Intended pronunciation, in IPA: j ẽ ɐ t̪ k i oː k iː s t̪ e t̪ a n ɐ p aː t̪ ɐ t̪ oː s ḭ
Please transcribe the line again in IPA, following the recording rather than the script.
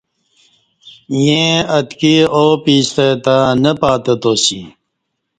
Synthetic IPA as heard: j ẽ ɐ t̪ k i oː p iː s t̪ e t̪ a n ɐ p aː t̪ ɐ t̪ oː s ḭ